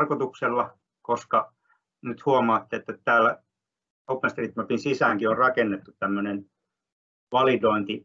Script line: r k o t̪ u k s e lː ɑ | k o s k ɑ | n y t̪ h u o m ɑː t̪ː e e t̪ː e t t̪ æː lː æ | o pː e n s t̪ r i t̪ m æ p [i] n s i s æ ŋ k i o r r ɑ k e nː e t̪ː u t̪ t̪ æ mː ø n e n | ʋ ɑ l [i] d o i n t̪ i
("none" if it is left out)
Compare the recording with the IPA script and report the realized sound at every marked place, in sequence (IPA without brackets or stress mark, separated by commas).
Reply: i, i